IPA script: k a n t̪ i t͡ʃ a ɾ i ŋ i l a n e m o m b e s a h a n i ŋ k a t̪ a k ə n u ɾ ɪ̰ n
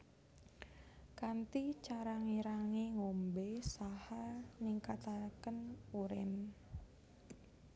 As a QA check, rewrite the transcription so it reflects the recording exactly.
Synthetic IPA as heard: k a n t̪ i t͡ʃ a ɾ a ŋ i ɾ a ŋ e ŋ o m b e s a h a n i ŋ k a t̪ a k ə n u ɾ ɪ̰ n